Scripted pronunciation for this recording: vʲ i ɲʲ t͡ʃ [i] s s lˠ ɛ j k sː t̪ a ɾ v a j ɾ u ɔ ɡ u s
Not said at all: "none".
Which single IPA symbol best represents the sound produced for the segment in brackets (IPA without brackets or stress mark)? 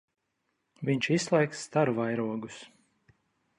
i